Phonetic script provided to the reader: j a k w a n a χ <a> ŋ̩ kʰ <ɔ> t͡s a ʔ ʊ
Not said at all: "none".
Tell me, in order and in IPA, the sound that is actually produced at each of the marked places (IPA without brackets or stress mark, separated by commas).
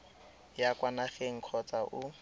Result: e, ɔ